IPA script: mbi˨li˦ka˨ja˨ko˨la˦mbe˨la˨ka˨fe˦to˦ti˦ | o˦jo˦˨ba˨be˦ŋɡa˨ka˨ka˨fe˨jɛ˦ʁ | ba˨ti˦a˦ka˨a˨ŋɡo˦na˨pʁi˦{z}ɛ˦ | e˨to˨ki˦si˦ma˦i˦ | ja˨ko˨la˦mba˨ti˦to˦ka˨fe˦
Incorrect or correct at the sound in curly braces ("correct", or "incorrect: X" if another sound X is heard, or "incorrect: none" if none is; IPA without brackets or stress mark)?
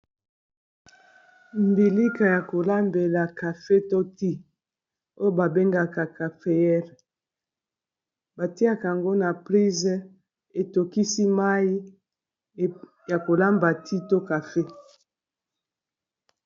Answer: correct